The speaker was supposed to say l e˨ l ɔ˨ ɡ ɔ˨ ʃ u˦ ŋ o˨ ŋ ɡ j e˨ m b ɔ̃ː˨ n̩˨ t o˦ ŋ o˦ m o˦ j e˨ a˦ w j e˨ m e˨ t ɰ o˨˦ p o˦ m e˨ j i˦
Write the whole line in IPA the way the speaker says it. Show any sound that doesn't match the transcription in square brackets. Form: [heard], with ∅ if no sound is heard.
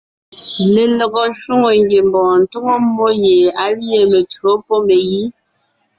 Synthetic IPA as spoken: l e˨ l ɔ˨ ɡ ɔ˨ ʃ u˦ ŋ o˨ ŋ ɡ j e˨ m b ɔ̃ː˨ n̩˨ t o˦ ŋ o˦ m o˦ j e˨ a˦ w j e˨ m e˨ t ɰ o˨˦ p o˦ m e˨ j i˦